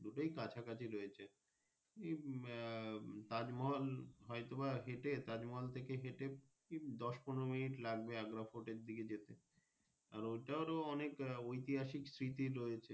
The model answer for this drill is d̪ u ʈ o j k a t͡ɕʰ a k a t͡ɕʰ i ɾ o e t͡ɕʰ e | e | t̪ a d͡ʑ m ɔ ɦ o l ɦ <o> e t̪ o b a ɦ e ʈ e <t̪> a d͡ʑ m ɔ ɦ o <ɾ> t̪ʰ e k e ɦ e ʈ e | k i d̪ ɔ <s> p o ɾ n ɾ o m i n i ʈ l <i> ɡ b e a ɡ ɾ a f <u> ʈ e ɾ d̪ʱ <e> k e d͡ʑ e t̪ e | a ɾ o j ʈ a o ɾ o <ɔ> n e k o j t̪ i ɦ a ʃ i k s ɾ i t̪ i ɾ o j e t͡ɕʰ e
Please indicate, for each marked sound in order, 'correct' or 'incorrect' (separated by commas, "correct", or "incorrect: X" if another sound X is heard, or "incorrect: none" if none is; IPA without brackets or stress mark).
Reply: incorrect: ɔ, correct, incorrect: l, incorrect: ʃ, incorrect: a, incorrect: o, incorrect: i, correct